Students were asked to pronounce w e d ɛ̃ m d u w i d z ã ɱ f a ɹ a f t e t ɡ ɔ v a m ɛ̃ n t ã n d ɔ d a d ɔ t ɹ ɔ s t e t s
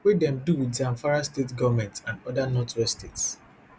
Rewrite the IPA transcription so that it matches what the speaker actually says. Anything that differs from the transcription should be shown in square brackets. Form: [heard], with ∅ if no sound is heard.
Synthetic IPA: w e d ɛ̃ m d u w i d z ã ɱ f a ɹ a [s] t e t ɡ ɔ v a m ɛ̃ n t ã n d ɔ d a [n] ɔ t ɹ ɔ s t e t s